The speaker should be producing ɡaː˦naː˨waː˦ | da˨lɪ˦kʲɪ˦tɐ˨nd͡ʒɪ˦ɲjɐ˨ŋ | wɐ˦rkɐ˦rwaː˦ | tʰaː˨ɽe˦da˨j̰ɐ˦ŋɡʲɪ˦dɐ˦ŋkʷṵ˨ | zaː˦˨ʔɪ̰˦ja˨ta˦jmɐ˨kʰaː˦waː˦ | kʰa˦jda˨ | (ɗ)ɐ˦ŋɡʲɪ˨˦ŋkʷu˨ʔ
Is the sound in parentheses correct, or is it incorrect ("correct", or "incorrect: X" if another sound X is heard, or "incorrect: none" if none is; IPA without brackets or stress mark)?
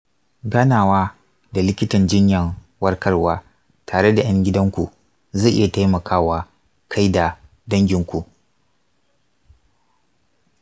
incorrect: d